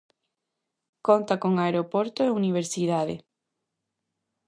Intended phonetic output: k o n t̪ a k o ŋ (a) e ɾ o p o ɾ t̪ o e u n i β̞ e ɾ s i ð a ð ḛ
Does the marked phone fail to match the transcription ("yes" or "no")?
no